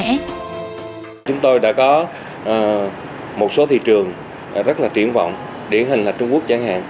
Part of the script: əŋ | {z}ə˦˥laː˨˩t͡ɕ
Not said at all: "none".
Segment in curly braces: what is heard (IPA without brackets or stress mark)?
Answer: z